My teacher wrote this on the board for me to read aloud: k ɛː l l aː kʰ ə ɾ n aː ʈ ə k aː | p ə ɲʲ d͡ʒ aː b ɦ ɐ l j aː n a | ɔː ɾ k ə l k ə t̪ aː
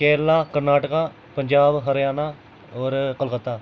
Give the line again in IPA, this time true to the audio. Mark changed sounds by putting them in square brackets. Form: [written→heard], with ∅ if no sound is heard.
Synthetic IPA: k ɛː [l→ɾ] l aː [kʰ→k] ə ɾ n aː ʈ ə k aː | p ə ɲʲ d͡ʒ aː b ɦ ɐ [l→ɾ] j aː n a | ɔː ɾ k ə l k ə t̪ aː